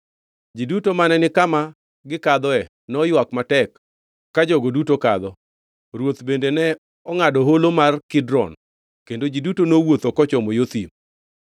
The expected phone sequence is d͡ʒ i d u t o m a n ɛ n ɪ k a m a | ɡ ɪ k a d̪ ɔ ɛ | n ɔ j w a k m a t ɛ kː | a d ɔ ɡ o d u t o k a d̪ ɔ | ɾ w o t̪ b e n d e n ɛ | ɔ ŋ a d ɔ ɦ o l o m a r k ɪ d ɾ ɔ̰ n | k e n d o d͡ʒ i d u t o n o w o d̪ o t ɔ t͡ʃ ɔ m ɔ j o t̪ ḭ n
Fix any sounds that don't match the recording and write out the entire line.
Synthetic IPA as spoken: d͡ʒ i d u t o m a n ɛ n ɪ k a m a | ɡ ɪ k a d̪ ɔ ɛ | n ɔ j w a k m a t ɛ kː | a d͡ʒ ɔ ɡ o d u t o k a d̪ ɔ | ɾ w o t̪ b e n d e n ɛ | ɔ ŋ a d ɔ ɦ o l o m a r k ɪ d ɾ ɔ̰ n | k e n d o d͡ʒ i d u t o n o w o t̪ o k ɔ t͡ʃ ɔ m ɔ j o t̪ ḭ m